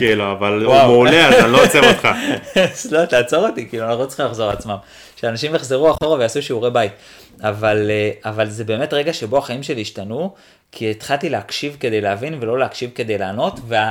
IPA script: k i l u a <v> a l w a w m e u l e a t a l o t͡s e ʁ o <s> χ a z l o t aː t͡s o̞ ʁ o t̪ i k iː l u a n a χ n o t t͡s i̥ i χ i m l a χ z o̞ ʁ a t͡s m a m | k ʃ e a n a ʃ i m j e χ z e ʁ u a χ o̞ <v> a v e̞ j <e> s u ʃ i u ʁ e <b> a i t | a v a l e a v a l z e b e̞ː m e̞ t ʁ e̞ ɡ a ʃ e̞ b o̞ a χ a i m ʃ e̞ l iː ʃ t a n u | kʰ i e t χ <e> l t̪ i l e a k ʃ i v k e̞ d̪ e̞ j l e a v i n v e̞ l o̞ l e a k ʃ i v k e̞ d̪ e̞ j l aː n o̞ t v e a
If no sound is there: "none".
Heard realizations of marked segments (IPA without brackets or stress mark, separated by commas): v, t, ʁ, a, b, a